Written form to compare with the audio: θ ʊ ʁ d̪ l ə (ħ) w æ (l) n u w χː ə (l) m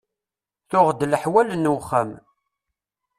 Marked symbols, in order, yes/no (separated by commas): yes, yes, no